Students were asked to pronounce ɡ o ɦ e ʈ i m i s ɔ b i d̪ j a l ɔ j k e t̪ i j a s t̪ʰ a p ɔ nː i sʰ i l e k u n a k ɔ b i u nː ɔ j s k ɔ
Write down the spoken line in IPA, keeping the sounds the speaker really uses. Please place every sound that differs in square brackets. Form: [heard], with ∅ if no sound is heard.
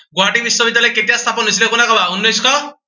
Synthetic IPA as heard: ɡ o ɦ [a] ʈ i m i s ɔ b i d̪ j a l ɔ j k e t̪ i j a s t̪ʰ a p ɔ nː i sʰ i l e k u n a k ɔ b [a] u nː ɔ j s k ɔ